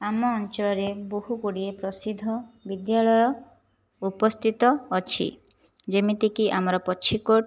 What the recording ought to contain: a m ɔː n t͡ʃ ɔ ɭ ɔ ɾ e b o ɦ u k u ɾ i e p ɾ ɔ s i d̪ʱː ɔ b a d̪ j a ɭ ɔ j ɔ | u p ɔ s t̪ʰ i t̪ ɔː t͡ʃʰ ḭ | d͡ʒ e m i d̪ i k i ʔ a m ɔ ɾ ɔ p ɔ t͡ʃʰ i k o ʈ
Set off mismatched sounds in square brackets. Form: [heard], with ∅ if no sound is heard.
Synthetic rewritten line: a m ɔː n t͡ʃ ɔ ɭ ɔ ɾ e b o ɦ u k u [ɽ] i e p ɾ ɔ s i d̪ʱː ɔ b [i] d̪ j a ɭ ɔ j ɔ | u p ɔ s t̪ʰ i t̪ ɔː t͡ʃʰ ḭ | d͡ʒ e m i [t̪] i k i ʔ a m ɔ ɾ ɔ p ɔ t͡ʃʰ i k o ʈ